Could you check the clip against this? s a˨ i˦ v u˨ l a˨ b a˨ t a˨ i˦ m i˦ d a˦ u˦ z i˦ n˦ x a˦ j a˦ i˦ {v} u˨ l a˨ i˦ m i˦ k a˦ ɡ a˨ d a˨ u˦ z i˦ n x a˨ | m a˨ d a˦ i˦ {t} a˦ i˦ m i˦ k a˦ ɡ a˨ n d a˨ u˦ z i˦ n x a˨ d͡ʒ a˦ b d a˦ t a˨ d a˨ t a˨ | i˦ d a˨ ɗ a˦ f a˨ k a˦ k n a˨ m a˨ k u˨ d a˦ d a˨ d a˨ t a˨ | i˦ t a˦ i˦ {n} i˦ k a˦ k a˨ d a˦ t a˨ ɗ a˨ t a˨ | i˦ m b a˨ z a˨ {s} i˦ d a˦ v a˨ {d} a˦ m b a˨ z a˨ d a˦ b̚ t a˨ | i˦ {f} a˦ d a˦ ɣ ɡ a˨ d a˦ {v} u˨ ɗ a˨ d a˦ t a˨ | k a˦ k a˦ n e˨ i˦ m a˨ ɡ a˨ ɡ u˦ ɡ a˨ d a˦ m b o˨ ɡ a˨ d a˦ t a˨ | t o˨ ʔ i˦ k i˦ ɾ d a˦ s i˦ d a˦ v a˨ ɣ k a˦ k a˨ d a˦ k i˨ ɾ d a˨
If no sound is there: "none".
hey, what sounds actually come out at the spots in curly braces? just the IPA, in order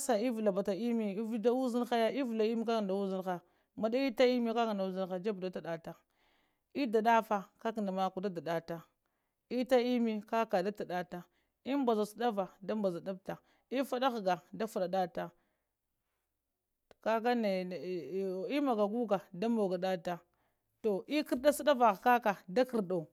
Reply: v, t, m, s, d, f, f

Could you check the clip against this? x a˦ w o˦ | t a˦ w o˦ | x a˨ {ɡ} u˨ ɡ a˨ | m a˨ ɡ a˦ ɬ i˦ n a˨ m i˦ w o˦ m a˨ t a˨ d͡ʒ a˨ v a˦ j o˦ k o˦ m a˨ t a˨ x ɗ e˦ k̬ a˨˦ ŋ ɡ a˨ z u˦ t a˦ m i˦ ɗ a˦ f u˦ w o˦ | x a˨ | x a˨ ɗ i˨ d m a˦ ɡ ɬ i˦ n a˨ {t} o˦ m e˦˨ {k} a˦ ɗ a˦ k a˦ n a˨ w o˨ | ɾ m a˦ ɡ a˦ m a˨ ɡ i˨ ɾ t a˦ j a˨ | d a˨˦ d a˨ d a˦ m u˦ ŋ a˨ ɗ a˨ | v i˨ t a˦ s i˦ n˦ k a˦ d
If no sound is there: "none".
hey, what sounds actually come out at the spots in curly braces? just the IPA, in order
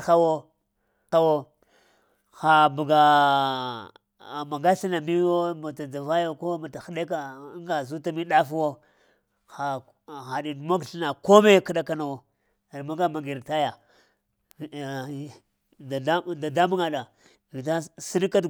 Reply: b, k, k

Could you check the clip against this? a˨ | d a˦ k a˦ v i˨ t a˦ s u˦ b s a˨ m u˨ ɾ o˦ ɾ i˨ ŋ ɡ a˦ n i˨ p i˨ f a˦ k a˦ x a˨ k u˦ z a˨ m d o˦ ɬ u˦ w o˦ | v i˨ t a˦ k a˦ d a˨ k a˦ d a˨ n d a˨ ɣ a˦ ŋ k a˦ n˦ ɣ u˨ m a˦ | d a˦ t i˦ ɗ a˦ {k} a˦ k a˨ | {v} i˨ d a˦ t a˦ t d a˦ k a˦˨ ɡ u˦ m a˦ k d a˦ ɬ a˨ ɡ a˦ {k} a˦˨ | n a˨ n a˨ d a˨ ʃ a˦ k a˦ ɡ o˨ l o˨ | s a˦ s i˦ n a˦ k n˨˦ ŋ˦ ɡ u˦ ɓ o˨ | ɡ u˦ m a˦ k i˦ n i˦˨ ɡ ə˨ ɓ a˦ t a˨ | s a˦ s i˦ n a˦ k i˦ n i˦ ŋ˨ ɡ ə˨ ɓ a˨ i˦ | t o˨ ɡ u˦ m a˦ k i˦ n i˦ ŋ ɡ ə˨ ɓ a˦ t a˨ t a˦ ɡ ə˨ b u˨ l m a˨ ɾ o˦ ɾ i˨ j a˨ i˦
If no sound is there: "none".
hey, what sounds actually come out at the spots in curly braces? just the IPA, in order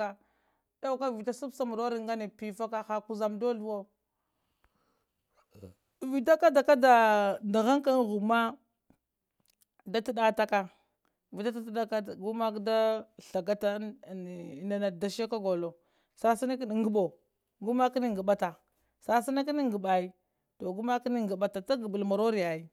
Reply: t, v, t

